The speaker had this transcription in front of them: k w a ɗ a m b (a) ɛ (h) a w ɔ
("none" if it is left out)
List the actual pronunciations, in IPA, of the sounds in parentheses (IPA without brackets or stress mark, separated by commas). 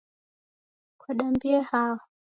i, h